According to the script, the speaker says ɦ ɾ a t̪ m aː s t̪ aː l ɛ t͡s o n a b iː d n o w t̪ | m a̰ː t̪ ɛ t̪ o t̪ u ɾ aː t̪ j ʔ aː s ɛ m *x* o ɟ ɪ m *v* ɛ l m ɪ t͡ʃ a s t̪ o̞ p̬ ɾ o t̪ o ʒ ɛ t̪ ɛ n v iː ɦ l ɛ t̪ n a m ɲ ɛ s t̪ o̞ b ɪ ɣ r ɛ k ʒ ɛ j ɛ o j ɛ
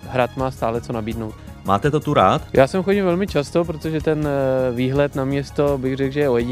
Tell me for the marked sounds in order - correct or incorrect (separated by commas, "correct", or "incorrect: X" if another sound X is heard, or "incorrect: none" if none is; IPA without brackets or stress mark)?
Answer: correct, correct